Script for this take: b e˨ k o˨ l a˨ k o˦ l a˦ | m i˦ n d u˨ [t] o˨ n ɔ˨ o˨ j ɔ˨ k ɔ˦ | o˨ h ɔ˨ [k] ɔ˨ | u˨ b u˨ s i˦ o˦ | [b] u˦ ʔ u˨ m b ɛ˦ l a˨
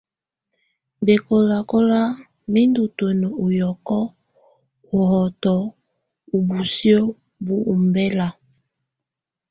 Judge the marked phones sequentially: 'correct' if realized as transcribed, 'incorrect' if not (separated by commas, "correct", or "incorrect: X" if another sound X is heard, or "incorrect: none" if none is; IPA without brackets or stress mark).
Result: correct, incorrect: t, correct